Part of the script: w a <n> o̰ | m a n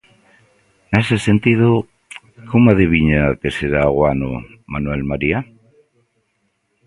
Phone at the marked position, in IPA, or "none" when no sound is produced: n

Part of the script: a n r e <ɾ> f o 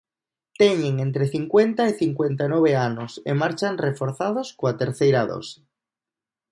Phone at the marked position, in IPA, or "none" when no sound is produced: none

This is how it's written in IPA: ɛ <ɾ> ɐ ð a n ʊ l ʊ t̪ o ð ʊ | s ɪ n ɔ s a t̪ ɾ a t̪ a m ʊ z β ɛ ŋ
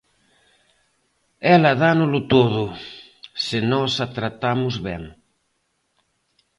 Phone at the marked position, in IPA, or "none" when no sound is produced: l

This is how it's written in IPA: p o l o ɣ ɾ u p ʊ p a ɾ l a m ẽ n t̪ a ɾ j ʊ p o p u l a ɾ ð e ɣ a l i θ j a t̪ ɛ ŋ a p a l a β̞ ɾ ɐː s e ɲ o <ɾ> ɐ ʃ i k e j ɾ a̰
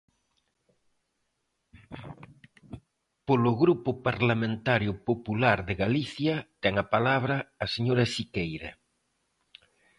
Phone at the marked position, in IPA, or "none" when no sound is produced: ɾ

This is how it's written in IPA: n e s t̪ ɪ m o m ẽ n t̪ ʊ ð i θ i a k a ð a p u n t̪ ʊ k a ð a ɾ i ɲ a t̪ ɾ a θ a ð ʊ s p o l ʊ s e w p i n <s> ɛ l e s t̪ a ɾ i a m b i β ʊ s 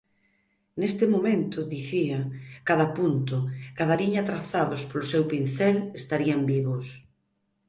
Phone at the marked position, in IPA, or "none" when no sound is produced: θ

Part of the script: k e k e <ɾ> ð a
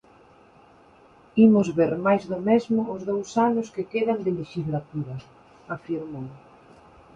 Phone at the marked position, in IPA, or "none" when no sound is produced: none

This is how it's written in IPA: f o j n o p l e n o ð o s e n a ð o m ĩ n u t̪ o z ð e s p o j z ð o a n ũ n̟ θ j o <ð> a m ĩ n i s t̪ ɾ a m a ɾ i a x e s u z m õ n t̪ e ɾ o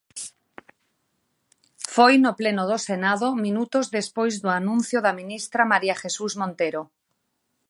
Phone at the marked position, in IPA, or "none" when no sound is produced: ð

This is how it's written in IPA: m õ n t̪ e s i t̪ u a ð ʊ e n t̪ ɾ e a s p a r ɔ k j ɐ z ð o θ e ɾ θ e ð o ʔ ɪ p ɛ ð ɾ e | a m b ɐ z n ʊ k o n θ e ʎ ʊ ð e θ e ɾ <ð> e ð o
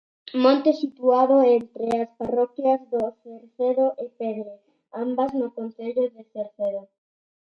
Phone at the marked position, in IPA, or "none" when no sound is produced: θ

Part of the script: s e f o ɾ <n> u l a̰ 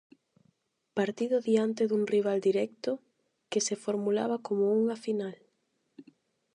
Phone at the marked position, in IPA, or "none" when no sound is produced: m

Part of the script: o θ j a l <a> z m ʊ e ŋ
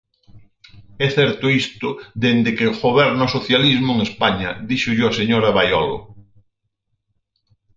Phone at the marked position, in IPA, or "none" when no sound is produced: i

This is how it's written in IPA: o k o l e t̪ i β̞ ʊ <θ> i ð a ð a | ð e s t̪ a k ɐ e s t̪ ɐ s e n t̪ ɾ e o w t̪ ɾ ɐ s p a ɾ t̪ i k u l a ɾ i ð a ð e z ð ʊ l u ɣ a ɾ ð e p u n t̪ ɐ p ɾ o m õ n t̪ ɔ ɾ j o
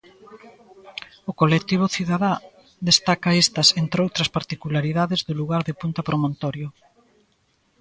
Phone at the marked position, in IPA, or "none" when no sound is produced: θ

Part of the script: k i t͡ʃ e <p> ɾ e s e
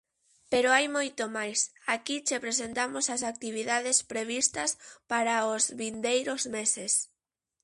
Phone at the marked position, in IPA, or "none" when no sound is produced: p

